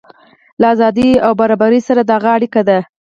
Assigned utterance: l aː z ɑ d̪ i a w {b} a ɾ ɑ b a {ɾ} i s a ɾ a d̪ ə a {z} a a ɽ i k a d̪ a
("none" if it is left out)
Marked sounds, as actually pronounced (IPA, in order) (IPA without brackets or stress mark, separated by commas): b, ɾ, ɣ